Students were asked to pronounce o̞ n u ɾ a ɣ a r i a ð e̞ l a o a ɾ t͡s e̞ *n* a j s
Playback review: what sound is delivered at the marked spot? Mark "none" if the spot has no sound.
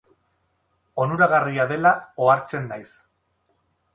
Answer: nː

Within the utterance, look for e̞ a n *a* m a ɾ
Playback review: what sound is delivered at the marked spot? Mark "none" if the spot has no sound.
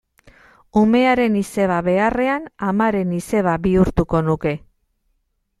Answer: a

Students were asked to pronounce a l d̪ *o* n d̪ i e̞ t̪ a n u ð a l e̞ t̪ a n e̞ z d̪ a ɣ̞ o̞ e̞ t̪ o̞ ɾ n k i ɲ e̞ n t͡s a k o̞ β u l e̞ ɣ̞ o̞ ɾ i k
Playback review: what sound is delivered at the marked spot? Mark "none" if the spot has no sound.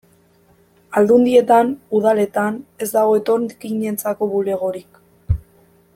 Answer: u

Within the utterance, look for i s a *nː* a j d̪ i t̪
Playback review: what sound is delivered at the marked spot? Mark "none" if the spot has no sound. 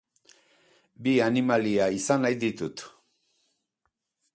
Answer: n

